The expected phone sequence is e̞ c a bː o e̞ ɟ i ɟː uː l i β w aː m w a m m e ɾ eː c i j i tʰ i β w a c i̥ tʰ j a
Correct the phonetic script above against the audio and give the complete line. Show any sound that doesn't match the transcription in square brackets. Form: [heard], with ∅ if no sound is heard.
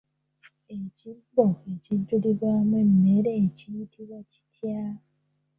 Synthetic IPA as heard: e̞ c [i] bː o e̞ [c] i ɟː [u] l i β w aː m w [e] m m e ɾ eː c i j i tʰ i β w a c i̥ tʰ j a